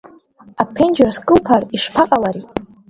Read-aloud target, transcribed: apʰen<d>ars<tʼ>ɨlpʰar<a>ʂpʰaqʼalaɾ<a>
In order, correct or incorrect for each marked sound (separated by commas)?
incorrect, incorrect, incorrect, incorrect